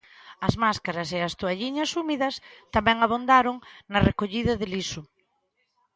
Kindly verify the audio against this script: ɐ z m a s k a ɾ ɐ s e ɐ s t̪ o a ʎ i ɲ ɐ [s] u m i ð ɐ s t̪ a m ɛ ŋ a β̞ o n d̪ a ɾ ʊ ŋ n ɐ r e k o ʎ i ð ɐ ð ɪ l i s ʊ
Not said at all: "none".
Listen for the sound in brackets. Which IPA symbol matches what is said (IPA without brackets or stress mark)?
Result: s